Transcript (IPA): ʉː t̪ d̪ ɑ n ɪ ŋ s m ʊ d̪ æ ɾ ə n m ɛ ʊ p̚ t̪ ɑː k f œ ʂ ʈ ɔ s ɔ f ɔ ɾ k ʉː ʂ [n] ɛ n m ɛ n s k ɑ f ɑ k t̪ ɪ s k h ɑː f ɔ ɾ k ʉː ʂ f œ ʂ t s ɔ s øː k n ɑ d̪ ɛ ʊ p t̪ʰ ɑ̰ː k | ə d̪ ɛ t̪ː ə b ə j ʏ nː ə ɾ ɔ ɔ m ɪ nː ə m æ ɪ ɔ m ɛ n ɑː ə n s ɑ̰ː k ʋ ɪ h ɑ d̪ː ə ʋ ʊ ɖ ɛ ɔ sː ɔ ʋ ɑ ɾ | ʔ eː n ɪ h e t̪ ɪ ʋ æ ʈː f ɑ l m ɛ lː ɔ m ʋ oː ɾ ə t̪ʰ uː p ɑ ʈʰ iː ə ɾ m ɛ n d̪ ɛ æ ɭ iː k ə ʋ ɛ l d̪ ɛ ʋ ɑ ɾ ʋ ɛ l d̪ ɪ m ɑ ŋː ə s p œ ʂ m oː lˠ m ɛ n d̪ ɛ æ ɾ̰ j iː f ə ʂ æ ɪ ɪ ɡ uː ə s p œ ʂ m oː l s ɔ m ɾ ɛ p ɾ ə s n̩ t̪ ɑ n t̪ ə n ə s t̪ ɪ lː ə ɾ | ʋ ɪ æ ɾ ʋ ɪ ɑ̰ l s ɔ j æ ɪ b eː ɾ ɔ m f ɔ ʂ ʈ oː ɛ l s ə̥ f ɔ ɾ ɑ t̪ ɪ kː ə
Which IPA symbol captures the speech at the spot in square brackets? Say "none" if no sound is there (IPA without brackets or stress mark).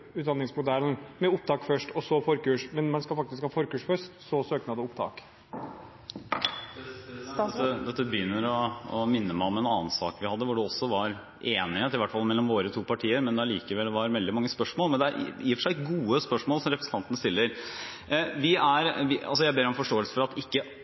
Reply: m